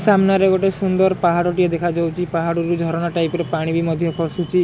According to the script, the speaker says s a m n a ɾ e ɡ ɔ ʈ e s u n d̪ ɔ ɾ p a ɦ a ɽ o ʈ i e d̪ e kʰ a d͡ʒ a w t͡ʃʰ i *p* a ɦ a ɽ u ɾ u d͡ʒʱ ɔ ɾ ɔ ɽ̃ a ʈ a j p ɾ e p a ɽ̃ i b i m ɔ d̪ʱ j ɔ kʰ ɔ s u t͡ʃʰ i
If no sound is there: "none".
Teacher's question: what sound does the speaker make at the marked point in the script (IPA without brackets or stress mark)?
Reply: p